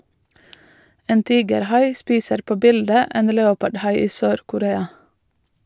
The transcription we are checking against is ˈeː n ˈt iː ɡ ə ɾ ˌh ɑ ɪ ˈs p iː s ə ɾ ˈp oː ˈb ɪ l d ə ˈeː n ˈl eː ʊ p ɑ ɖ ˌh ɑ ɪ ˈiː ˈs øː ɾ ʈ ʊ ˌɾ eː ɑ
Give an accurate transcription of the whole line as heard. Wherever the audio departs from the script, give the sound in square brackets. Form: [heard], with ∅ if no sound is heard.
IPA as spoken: ˈeː n ˈt iː ɡ ə ɾ ˌh ɑ ɪ ˈs p iː s ə ɾ ˈp oː ˈb ɪ l d ə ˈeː n ˈl eː ʊ p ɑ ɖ ˌh ɑ ɪ ˈiː ˈs øː ɾ [k] ʊ ˌɾ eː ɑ